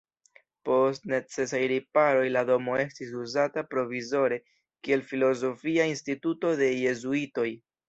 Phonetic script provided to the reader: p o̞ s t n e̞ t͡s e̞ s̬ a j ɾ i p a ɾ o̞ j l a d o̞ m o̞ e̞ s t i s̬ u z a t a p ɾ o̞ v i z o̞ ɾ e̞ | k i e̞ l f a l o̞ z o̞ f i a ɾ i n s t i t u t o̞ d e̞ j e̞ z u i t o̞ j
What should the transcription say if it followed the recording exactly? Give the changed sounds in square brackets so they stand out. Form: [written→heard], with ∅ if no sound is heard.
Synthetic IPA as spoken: p o̞ s t n e̞ t͡s e̞ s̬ a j ɾ i p a ɾ o̞ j l a d o̞ m o̞ e̞ s t i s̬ u z a t a p ɾ o̞ v i z o̞ ɾ e̞ | k i e̞ l f [a→i] l o̞ z o̞ f i a [ɾ→∅] i n s t i t u t o̞ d e̞ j e̞ z u i t o̞ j